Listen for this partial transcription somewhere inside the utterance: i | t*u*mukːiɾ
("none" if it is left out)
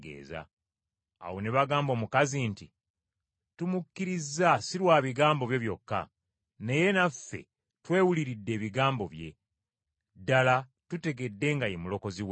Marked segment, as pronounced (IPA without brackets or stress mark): u